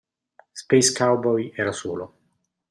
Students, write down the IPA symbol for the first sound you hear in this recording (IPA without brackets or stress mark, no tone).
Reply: s